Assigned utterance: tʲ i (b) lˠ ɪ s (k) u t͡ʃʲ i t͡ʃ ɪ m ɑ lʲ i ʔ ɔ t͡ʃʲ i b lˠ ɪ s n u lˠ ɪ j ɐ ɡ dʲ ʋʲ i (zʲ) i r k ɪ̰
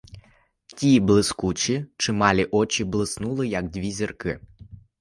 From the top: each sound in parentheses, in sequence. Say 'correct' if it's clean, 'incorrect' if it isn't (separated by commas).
correct, correct, correct